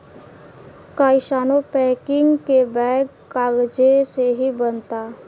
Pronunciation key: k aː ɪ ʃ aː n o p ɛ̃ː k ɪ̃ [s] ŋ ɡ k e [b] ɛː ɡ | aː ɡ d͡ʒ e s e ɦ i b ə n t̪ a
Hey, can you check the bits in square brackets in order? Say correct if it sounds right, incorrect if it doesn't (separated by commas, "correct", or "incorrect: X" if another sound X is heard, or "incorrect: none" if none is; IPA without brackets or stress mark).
incorrect: none, correct